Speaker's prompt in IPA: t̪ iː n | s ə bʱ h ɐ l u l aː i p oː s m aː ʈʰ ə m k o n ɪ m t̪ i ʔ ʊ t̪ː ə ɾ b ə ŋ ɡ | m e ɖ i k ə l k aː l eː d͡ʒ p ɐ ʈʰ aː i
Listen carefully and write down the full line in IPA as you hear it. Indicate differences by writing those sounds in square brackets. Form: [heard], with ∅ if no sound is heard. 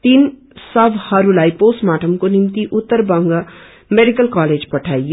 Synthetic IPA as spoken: t̪ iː n | s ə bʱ h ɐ [ɾ] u l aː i p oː s m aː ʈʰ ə m k o n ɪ m t̪ i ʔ ʊ t̪ː ə ɾ b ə ŋ ɡ | m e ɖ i k ə l k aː l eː d͡ʒ p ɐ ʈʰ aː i